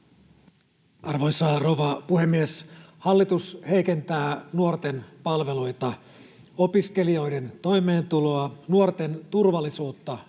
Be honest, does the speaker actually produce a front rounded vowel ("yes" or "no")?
no